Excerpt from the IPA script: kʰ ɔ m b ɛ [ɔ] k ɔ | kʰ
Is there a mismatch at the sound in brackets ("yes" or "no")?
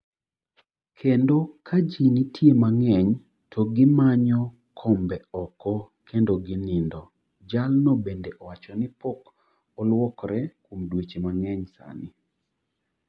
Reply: no